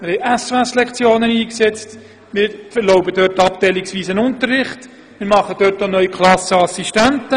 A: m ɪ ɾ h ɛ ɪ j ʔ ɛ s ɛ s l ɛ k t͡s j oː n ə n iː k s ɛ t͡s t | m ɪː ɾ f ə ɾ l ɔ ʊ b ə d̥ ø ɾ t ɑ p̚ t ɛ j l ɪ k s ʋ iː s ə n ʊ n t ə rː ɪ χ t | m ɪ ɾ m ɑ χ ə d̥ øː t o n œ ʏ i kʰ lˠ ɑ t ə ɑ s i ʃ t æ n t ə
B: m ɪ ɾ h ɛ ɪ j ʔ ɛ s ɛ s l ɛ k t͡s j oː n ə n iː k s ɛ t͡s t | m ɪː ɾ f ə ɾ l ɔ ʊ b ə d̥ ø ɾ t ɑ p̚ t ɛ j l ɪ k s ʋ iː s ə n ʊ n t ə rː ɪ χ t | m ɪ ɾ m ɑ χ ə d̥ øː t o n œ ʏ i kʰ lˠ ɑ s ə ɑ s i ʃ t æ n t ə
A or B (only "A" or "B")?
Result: B